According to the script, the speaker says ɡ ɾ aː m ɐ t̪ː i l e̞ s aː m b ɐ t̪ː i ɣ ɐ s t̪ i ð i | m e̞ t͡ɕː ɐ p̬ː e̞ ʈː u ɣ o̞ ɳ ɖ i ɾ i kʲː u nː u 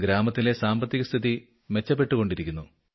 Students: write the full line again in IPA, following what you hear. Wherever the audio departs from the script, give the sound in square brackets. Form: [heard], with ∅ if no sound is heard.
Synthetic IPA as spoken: ɡ ɾ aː m ɐ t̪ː i l e̞ s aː m b ɐ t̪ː i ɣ ɐ s [t̪ʰ] i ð i | m e̞ t͡ɕː ɐ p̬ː e̞ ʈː u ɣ o̞ ɳ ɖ i ɾ i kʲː u nː u